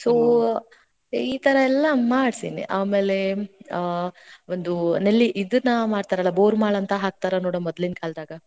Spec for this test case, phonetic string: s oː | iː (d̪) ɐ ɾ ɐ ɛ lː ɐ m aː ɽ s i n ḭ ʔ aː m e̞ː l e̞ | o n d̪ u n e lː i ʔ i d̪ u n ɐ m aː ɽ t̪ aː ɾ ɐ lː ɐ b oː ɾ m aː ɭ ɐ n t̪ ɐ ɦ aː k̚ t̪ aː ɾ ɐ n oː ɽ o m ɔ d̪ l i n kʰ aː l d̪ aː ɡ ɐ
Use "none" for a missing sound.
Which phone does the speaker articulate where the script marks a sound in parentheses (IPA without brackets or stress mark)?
t̪